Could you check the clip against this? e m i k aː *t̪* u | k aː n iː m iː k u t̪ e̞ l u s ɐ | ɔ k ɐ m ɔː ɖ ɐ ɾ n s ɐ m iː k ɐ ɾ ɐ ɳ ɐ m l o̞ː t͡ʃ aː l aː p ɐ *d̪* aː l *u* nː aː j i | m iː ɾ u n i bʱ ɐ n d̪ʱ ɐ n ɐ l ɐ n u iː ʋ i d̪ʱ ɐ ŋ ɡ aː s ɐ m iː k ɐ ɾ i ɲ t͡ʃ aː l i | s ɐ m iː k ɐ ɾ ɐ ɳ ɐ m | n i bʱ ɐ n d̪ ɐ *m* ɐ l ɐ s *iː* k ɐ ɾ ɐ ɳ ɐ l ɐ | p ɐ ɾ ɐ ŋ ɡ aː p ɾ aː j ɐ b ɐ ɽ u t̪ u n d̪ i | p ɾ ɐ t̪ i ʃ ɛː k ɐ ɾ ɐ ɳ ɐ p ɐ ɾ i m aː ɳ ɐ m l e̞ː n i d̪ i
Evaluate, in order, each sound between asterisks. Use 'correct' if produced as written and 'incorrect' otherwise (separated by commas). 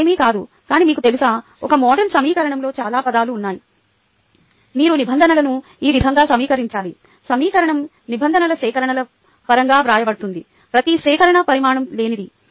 incorrect, correct, incorrect, incorrect, incorrect